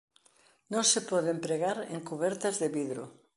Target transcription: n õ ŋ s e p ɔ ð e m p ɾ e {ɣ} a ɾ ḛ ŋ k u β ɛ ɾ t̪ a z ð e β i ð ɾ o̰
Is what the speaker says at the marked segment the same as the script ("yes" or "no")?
yes